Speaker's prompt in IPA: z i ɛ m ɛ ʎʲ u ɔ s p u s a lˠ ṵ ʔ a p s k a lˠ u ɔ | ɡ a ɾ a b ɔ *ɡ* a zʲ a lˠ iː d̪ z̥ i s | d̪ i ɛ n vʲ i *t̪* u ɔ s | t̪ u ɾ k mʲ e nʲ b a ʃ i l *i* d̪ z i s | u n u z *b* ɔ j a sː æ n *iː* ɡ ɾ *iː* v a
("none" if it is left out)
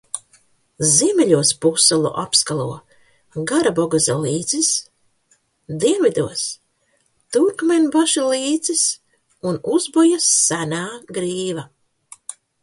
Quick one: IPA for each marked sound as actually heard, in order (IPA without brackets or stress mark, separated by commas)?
ɡ, d̪, iː, b, aː, iː